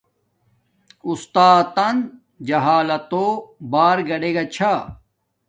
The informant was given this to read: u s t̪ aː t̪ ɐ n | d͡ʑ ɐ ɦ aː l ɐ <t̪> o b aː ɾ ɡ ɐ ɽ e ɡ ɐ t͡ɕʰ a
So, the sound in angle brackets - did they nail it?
yes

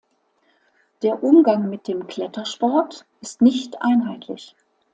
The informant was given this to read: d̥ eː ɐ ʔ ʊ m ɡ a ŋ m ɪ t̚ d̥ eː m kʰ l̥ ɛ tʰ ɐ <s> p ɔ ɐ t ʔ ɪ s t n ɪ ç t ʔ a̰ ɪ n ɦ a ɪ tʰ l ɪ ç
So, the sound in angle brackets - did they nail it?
no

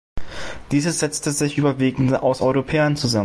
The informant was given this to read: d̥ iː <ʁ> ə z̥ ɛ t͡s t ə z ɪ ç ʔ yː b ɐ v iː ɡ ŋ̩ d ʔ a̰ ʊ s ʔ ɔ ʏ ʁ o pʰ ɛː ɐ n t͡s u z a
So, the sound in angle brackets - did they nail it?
no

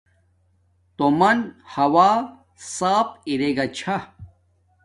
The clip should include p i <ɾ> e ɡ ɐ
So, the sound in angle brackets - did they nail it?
yes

